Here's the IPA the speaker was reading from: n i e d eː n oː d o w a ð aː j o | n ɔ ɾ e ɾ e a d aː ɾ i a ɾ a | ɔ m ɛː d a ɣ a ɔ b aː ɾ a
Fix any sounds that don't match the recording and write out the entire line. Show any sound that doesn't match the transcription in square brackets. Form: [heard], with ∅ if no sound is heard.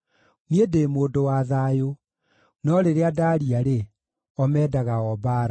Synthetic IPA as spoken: n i e d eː [m] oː d o w a ð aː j o | n ɔ ɾ e ɾ e a d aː ɾ i a ɾ [e] | ɔ m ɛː d a ɣ a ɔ b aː ɾ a